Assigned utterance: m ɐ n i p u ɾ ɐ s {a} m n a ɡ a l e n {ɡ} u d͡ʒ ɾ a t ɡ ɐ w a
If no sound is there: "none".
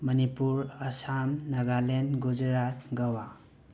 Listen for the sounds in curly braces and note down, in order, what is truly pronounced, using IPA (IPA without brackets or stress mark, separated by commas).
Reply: a, ɡ